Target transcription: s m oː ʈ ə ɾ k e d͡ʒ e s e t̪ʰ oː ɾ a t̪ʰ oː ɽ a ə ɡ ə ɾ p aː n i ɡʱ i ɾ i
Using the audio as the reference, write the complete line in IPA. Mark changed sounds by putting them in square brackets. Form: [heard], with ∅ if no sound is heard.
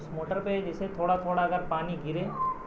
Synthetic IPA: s m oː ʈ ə ɾ [p] e d͡ʒ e s e t̪ʰ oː [ɽ] a t̪ʰ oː ɽ a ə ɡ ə ɾ p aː n i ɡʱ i ɾ [e]